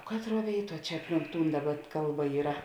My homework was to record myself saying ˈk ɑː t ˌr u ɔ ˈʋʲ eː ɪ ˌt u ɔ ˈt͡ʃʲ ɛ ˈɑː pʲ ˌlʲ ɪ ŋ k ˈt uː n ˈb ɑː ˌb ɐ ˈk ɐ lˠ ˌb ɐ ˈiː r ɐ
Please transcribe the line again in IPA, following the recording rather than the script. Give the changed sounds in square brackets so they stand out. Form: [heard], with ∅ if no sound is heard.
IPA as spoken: ˈk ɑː t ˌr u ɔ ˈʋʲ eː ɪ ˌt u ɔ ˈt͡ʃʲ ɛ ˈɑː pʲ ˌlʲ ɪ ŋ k ˈt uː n [ˈd] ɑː ˌb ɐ ˈk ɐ lˠ ˌb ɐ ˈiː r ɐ